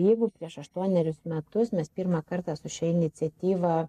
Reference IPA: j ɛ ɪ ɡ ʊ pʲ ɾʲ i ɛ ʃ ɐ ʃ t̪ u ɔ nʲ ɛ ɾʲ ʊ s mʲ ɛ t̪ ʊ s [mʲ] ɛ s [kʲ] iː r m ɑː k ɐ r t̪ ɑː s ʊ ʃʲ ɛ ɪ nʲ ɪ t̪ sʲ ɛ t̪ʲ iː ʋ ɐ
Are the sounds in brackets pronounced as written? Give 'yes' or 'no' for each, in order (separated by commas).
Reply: yes, no